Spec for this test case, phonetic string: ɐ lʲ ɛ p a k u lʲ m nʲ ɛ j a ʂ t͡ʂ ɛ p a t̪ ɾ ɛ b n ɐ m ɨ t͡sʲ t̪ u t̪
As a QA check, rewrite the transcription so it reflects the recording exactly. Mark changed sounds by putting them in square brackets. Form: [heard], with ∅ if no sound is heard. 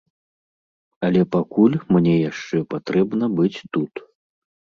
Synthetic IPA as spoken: ɐ lʲ ɛ p a k u lʲ m nʲ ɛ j a ʂ t͡ʂ ɛ p a t̪ ɾ ɛ b n ɐ [b] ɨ t͡sʲ t̪ u t̪